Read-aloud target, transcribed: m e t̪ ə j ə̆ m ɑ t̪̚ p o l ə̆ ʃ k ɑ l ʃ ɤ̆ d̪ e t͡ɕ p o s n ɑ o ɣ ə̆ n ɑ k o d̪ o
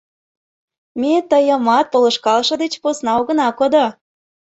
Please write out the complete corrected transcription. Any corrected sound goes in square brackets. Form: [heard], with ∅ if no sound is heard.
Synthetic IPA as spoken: m e t̪ ə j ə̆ m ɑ t̪̚ p o l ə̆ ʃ k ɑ l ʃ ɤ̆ d̪ e t͡ɕ p o s n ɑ o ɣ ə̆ n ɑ k o d̪ o

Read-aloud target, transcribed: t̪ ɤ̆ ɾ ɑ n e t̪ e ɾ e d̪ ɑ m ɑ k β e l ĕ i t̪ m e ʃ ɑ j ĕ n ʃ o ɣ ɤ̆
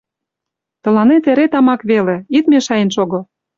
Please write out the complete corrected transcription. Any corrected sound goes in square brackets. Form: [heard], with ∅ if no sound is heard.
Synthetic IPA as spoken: t̪ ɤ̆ [l] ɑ n e t̪ e ɾ e [t̪] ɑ m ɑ k β e l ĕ i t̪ m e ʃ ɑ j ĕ n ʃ o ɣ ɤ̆

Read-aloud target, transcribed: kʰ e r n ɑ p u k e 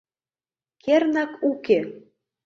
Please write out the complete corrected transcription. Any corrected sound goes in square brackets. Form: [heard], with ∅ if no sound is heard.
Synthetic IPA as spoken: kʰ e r n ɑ [k] u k e

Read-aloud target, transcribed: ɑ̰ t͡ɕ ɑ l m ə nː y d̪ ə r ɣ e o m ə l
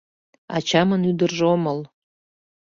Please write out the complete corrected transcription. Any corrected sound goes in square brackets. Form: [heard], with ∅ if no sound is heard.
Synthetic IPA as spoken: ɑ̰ t͡ɕ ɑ [∅] m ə [n] y d̪ ə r [ʒ] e o m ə l

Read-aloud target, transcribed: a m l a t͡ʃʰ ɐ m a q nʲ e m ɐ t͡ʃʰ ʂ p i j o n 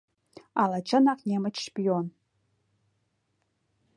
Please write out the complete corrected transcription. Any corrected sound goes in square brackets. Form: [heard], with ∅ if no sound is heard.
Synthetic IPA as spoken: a [∅] l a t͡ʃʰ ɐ [n] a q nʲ e m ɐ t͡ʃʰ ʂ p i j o n

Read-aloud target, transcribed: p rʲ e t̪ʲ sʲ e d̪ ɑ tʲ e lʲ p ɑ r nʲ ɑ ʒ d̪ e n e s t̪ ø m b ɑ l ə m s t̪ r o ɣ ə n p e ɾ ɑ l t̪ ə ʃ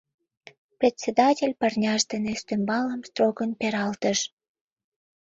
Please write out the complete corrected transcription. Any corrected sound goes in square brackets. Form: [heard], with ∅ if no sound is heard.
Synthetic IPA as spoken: p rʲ e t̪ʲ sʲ e d̪ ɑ tʲ e lʲ p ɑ r nʲ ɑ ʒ d̪ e n e s t̪ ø m b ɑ l ə m s t̪ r o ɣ ə n p e ɾ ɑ l t̪ ə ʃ

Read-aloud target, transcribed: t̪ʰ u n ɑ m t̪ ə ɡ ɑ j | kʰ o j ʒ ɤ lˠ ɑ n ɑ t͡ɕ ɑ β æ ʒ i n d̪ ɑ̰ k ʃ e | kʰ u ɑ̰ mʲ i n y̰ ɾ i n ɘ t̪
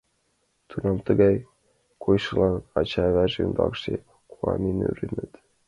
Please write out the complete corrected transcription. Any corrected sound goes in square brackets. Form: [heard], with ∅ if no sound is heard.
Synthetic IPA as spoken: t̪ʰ u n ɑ m t̪ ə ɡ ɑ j | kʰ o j [ʃ] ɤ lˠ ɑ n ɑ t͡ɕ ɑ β æ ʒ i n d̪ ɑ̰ k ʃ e | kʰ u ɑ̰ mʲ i n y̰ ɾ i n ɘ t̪

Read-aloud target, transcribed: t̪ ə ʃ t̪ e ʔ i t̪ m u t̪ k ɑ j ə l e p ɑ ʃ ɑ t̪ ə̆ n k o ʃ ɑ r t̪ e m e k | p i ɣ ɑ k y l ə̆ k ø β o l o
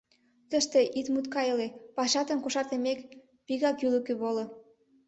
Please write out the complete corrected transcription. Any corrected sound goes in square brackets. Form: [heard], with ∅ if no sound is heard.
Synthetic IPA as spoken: t̪ ə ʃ t̪ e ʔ i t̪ m u t̪ k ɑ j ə l e p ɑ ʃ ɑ t̪ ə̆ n k o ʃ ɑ r t̪ e m e k | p i ɣ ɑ k y l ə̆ k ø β o l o

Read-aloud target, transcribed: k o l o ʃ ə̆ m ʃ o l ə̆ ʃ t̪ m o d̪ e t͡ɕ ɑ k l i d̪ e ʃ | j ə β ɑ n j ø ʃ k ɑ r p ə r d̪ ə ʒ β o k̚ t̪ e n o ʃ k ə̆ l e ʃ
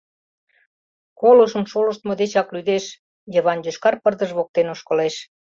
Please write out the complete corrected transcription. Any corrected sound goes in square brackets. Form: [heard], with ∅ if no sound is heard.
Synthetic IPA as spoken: k o l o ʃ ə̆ m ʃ o l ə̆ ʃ t̪ m o d̪ e t͡ɕ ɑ k l [y] d̪ e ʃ | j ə β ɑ n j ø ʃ k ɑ r p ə r d̪ ə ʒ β o k̚ t̪ e n o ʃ k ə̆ l e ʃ

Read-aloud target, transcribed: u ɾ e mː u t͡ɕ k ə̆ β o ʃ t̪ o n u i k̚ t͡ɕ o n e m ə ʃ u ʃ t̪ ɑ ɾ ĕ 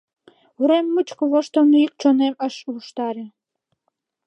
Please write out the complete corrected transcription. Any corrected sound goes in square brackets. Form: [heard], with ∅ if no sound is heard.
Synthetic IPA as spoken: u ɾ e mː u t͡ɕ k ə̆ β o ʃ t̪ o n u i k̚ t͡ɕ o n e m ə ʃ u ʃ t̪ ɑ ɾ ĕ

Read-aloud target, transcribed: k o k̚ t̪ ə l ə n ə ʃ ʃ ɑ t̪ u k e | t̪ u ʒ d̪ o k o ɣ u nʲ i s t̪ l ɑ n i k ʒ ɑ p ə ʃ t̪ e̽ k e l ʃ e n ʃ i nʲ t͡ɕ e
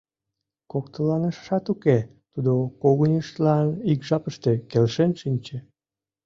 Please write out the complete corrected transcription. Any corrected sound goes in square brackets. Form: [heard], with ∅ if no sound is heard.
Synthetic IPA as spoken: k o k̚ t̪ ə l [ɑ] n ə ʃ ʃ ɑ t̪ u k e | t̪ u [∅] d̪ o k o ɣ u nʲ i [ʃ] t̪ l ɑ n i k ʒ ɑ p ə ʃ t̪ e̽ k e l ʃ e n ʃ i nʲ t͡ɕ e

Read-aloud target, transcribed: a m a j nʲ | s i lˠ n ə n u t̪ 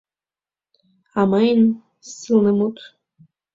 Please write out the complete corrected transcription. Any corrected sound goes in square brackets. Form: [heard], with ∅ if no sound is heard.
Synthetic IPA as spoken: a m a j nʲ | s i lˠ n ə [m] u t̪

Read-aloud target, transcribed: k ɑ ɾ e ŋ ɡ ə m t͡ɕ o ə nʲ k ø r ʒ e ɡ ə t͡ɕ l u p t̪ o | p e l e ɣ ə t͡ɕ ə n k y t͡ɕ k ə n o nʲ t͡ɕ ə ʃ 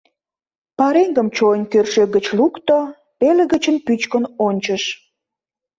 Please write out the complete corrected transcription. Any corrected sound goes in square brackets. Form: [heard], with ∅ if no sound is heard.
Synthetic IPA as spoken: [p] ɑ ɾ e ŋ ɡ ə m t͡ɕ o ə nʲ k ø r [ʃ] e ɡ ə t͡ɕ l u [k] t̪ o | p e l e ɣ ə t͡ɕ ə n [p] y t͡ɕ k ə n o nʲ t͡ɕ ə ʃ

